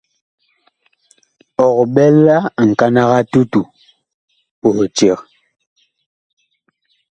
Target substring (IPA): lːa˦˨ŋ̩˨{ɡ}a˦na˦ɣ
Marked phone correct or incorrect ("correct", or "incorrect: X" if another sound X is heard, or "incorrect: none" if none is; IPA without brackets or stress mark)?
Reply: incorrect: k